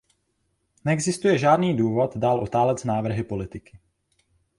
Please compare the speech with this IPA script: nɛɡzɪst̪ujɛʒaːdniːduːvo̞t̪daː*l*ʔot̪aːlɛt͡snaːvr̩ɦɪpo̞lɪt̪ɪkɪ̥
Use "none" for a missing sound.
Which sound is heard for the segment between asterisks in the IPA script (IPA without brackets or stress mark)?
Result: l